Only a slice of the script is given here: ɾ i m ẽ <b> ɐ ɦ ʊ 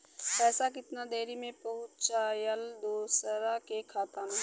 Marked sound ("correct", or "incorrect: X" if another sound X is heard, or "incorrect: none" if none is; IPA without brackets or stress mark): incorrect: p